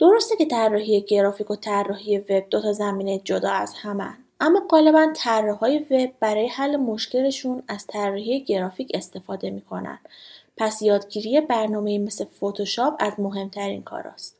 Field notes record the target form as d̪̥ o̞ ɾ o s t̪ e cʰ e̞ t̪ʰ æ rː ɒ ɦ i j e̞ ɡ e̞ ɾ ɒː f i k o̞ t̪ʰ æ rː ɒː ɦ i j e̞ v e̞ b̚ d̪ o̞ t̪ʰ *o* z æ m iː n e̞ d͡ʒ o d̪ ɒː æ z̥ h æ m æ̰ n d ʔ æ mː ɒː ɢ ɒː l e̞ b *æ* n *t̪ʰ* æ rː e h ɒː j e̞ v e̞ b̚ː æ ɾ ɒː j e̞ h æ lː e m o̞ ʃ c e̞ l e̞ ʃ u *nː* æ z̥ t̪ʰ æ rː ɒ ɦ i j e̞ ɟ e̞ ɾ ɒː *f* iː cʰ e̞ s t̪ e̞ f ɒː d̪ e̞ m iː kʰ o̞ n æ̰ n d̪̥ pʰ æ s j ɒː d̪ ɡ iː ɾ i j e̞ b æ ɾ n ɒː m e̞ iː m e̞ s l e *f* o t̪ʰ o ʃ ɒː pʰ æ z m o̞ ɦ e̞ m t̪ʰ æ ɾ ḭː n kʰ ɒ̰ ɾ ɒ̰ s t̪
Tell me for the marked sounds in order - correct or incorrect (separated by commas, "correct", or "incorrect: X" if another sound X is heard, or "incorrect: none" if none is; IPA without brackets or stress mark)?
incorrect: ɒ, correct, correct, incorrect: n, correct, correct